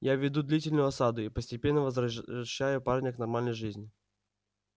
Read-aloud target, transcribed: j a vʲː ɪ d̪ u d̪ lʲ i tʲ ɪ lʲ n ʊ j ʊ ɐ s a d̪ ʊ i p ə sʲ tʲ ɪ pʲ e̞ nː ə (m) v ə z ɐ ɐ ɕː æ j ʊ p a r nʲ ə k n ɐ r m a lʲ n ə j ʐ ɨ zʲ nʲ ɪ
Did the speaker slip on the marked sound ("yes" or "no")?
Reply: yes